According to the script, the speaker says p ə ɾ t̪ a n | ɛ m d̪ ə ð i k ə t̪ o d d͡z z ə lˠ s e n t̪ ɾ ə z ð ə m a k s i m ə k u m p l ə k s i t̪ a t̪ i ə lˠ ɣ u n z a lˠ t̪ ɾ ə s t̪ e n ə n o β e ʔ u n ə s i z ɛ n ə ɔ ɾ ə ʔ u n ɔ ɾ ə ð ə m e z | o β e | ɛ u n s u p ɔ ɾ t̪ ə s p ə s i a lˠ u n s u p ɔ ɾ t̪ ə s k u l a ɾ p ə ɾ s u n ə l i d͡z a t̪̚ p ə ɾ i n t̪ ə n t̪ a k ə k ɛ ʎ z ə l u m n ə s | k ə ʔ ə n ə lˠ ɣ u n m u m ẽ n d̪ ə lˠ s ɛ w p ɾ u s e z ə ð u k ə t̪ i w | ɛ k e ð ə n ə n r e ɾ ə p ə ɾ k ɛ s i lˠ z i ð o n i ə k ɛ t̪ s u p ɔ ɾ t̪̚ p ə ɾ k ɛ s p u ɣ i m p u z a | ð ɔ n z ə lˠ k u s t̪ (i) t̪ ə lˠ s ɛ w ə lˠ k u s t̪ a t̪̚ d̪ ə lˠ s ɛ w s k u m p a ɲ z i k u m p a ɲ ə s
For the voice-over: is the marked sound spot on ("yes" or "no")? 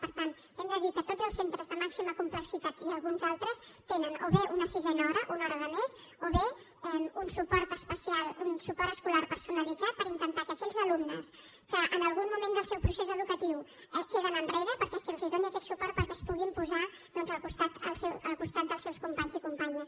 no